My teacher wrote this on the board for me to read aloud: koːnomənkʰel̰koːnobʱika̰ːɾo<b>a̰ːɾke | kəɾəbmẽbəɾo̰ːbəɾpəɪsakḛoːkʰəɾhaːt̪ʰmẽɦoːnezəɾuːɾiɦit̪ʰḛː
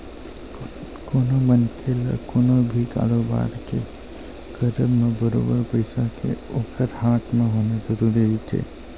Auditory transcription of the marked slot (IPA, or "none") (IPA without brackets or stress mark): b